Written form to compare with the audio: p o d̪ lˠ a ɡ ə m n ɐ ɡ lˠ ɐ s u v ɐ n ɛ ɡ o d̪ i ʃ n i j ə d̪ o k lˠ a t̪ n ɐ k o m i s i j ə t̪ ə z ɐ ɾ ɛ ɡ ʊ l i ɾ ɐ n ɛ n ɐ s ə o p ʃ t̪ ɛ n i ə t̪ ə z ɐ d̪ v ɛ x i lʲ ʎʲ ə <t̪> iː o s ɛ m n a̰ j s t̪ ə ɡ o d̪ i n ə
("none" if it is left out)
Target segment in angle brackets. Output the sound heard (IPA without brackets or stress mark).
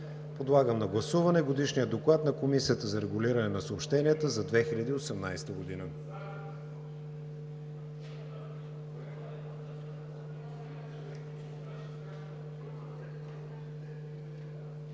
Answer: d̪